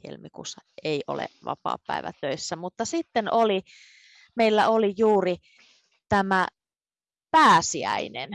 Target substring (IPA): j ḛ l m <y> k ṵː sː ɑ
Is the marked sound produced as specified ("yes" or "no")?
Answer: no